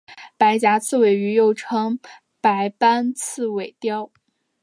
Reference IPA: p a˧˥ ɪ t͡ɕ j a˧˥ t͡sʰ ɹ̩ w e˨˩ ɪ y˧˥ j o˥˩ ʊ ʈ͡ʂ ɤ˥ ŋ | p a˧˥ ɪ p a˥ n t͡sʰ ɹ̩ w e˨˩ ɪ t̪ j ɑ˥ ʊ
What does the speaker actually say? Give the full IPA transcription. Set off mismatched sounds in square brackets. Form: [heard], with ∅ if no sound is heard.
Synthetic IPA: p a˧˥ ɪ t͡ɕ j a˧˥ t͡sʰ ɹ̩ w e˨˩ ɪ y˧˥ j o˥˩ ʊ [ʈ͡ʂʰ] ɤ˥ ŋ | p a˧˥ ɪ p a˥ n t͡sʰ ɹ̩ w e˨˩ ɪ t̪ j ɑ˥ ʊ